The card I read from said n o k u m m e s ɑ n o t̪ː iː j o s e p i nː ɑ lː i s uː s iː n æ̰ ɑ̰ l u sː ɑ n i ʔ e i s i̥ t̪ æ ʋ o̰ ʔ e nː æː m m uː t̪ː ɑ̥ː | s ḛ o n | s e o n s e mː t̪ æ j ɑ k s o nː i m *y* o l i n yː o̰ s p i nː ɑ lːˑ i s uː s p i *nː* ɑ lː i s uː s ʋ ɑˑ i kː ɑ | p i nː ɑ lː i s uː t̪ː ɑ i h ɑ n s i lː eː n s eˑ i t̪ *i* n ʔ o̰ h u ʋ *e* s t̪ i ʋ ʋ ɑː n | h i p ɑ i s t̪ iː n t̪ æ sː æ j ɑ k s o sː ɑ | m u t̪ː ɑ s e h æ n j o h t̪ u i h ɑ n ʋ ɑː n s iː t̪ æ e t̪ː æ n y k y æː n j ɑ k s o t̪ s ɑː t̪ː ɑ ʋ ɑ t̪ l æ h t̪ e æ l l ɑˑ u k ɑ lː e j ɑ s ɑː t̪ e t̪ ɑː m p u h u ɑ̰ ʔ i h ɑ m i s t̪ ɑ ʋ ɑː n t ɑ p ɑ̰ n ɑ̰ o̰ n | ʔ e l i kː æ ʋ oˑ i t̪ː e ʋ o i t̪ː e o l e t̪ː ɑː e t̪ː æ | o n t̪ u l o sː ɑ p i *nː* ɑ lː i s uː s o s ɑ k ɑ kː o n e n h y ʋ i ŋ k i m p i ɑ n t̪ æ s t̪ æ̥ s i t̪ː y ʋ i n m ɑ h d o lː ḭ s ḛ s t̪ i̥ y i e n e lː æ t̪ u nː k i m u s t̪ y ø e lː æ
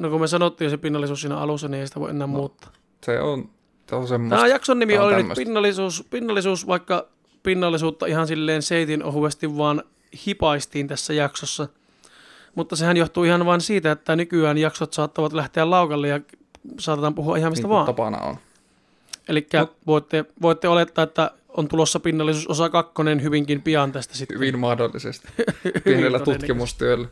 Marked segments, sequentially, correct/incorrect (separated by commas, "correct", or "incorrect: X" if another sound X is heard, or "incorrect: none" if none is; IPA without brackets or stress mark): incorrect: i, correct, correct, correct, correct